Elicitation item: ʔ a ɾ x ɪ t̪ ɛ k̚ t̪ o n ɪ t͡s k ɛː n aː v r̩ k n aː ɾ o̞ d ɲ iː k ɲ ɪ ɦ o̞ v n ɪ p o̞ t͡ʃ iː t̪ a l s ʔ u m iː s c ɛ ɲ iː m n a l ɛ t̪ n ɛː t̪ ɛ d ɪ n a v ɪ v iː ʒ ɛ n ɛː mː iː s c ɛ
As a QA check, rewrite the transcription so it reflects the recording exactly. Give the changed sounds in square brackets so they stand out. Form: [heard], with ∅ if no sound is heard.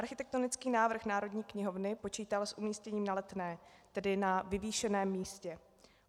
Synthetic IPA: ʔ a ɾ x ɪ t̪ ɛ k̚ t̪ o n ɪ t͡s k [iː] n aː v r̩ [x] n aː ɾ o̞ d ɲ iː k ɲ ɪ ɦ o̞ v n ɪ p o̞ t͡ʃ iː t̪ a l s ʔ u m iː s c ɛ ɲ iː m n a l ɛ t̪ n ɛː t̪ ɛ d ɪ n a v ɪ v iː [ʃ] ɛ n ɛː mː iː s c ɛ